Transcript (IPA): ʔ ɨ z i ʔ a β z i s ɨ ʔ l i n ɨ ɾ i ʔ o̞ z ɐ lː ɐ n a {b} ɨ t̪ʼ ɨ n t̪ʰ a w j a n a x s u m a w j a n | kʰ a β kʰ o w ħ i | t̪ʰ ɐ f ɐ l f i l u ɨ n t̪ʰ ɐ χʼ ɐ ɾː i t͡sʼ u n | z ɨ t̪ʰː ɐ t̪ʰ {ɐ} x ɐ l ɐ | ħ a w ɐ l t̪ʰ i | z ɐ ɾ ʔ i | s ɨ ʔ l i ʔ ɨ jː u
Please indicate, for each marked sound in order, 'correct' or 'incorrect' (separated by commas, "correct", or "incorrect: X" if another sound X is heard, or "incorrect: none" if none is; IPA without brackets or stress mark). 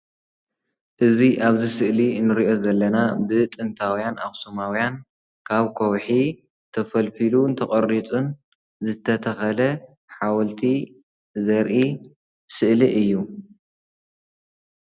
correct, correct